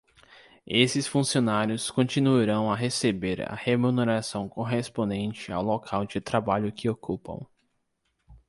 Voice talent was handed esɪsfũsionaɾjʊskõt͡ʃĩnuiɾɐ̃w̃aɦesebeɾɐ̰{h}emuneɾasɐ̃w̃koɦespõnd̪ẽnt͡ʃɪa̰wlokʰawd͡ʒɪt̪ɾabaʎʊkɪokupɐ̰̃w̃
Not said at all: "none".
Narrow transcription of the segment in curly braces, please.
h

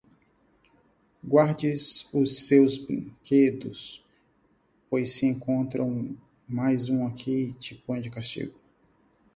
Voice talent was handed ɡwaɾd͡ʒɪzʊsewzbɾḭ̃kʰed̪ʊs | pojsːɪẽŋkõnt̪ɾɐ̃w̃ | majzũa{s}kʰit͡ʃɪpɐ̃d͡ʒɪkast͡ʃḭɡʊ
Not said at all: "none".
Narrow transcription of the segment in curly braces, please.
none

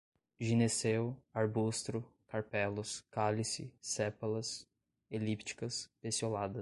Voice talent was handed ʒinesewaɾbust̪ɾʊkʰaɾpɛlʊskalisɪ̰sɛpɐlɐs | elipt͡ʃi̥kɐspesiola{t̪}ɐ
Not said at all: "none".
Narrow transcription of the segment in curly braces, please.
d̪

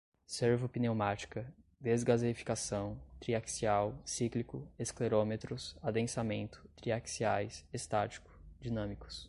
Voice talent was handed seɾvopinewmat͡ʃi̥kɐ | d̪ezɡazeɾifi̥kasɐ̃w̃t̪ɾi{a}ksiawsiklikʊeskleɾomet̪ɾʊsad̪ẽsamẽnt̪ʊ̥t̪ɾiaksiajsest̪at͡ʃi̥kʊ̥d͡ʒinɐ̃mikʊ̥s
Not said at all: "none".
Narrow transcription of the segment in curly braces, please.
a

